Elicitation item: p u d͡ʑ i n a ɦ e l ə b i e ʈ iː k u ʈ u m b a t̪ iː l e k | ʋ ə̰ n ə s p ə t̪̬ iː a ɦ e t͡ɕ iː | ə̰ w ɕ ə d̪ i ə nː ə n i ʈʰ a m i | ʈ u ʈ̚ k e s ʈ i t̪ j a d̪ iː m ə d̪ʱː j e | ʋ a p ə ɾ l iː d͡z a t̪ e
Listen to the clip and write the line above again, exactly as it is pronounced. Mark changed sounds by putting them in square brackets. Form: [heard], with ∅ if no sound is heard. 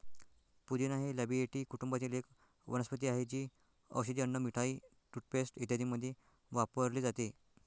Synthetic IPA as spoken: p u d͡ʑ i n a ɦ e l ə b i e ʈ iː k u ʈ u m b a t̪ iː l e k | ʋ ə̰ n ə s p ə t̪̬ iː a ɦ e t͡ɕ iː | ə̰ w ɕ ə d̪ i ə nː ə [m] i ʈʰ a [∅] i | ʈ u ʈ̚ [p] e s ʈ i t̪ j a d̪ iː m ə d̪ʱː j e | ʋ a p ə ɾ l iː d͡z a t̪ e